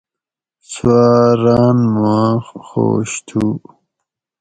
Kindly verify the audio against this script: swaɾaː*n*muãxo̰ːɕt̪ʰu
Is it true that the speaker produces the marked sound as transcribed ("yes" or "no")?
yes